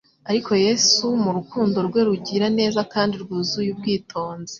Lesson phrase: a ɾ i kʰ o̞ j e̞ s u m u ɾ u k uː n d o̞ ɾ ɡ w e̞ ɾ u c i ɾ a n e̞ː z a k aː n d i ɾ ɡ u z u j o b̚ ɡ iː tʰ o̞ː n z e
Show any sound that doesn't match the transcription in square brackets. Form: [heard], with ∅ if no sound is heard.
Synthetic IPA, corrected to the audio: a ɾ i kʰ o̞ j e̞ s u m u ɾ u k uː n d o̞ ɾ ɡ w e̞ ɾ u [ɟ] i ɾ a n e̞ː z a k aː n d i ɾ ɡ u z u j [u] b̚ ɡ iː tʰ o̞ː n z e